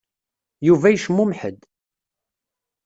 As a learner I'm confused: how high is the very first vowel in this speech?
high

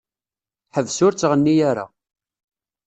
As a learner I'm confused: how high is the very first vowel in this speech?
mid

